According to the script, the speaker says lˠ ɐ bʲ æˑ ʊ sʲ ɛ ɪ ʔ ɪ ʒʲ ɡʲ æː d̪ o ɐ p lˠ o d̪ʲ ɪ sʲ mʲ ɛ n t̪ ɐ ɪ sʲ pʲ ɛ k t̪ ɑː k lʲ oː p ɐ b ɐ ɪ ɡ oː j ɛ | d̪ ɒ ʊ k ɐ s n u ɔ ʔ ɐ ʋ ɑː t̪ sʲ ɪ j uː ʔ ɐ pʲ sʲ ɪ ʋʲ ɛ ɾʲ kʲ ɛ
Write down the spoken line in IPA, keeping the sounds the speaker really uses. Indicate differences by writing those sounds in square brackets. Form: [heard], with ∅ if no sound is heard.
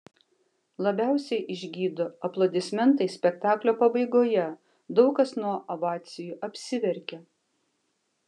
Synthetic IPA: lˠ ɐ bʲ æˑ ʊ sʲ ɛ ɪ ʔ ɪ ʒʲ ɡʲ [iː] d̪ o ɐ p lˠ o d̪ʲ ɪ sʲ mʲ ɛ n t̪ ɐ ɪ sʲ pʲ ɛ k t̪ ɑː k lʲ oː p ɐ b ɐ ɪ ɡ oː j ɛ | d̪ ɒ ʊ k ɐ s n u ɔ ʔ ɐ ʋ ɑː t̪ sʲ ɪ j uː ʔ ɐ pʲ sʲ ɪ ʋʲ ɛ ɾʲ kʲ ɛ